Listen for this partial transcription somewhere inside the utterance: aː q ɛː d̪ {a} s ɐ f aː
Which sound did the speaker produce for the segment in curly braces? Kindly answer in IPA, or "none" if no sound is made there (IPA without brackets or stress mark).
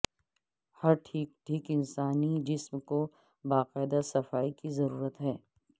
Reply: a